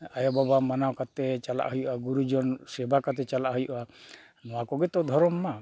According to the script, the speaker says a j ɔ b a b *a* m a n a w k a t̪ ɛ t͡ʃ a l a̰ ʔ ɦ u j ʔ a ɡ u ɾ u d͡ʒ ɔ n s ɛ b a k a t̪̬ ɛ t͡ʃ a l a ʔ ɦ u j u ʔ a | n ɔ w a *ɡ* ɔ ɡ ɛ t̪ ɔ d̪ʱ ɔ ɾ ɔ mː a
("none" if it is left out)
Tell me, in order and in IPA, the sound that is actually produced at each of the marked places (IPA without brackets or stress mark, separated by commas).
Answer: a, k